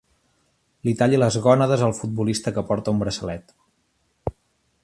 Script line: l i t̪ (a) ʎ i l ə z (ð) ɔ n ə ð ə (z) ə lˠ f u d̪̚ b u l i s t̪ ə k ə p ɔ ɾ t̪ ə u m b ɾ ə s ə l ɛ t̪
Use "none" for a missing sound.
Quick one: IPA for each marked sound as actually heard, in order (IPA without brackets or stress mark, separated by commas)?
a, ɣ, z